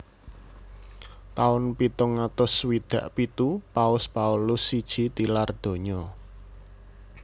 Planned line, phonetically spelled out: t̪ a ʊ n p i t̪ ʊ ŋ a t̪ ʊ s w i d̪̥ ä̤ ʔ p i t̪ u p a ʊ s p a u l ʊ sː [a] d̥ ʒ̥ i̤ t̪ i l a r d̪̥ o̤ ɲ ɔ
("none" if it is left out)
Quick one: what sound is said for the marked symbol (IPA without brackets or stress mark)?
i